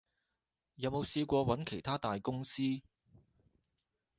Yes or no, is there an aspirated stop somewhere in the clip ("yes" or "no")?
yes